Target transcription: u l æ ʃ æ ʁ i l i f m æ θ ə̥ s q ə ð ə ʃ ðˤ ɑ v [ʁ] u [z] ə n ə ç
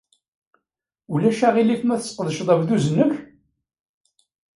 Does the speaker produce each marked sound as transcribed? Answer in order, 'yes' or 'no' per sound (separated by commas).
no, yes